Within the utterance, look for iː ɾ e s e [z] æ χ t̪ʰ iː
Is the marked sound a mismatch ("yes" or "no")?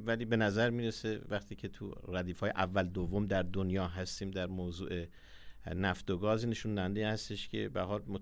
yes